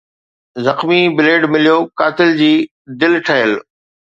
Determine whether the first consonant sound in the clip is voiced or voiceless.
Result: voiced